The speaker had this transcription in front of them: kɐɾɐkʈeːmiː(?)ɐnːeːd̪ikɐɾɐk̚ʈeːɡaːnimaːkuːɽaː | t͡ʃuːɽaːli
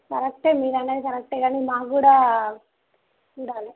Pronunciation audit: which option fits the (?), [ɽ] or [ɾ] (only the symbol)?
ɾ